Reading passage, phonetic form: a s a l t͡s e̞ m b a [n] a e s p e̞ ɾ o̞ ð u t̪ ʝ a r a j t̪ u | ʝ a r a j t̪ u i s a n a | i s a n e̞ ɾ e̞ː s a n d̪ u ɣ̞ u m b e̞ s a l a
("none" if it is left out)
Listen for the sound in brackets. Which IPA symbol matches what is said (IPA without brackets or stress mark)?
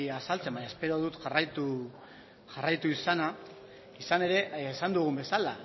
ɲ